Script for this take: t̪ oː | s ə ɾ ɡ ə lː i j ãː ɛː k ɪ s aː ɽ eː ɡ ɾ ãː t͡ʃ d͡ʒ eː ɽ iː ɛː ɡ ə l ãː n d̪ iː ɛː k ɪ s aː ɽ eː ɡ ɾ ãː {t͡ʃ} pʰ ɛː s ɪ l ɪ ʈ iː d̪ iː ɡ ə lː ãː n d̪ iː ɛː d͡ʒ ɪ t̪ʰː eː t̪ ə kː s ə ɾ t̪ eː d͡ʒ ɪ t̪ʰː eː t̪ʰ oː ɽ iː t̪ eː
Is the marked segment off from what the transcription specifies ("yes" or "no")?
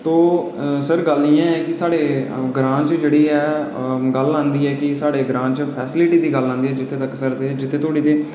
no